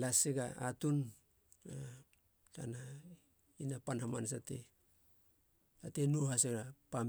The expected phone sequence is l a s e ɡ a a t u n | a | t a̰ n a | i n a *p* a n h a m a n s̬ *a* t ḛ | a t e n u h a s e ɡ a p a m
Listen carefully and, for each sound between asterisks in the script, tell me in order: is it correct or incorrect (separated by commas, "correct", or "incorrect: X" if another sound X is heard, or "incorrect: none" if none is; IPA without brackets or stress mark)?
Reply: correct, correct